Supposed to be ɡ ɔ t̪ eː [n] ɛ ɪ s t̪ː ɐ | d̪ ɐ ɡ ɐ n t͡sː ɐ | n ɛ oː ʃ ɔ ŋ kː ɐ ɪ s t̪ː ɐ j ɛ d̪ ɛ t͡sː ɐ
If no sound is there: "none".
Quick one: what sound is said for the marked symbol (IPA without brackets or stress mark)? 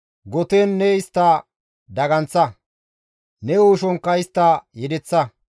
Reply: nː